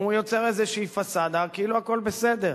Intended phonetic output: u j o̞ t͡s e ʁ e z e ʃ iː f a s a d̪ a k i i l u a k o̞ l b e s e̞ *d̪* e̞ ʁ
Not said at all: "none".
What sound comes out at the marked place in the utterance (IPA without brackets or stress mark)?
d̪